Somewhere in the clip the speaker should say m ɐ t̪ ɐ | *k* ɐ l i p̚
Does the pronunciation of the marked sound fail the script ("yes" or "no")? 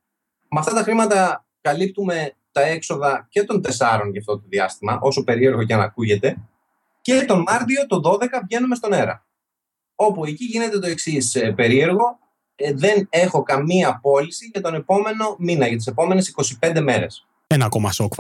no